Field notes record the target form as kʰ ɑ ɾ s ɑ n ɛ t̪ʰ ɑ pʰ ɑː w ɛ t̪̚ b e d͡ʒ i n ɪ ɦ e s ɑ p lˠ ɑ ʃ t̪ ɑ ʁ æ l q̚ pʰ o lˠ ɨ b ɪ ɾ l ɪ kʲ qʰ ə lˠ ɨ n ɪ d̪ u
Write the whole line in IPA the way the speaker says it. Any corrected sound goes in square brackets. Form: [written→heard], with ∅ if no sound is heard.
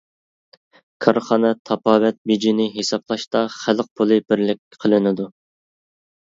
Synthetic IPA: kʰ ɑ ɾ [s→χ] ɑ n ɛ t̪ʰ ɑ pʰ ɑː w ɛ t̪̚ b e d͡ʒ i n ɪ ɦ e s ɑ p lˠ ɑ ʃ t̪ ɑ [ʁ→χ] æ l q̚ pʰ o lˠ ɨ b ɪ ɾ l ɪ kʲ qʰ ə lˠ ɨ n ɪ d̪ u